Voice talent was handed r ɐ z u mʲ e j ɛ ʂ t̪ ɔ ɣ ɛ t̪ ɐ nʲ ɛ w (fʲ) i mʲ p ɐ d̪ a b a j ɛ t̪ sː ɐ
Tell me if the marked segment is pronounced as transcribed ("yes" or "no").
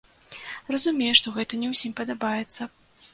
no